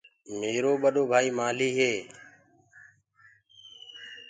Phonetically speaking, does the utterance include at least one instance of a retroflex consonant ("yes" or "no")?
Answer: no